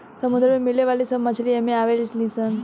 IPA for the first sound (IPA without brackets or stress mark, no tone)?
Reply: s